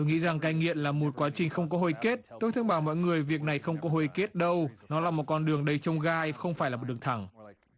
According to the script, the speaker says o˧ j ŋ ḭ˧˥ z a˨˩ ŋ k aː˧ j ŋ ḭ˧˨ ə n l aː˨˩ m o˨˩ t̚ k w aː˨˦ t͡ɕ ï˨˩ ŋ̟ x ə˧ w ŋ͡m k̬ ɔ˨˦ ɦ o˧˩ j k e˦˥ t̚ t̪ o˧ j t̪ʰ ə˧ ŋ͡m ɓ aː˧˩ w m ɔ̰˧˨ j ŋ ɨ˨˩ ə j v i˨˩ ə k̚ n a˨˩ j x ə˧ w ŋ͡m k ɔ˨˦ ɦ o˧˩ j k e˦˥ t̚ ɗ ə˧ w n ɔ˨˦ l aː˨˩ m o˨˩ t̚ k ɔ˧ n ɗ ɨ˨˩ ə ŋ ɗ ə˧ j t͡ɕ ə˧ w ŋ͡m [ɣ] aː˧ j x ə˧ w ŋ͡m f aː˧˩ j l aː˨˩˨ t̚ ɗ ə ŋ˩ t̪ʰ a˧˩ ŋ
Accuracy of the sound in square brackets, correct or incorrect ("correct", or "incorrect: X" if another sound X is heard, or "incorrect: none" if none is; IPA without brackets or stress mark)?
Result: correct